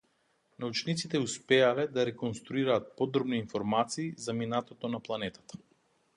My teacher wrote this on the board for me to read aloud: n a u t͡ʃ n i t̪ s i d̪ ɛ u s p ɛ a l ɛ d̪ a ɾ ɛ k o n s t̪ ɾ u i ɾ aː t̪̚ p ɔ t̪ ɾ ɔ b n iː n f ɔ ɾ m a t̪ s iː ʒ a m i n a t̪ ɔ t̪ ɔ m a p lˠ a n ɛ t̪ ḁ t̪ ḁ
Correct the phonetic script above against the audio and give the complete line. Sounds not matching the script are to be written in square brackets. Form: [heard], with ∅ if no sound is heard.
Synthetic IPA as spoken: n a u t͡ʃ n i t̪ s i [t̪] ɛ u s p ɛ a l ɛ d̪ a ɾ ɛ k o n s t̪ ɾ u i ɾ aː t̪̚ p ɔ [d̪] ɾ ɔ b n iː n f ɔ ɾ m a t̪ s iː [z] a m i n a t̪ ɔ t̪ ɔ [n] a p lˠ a n ɛ t̪ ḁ t̪ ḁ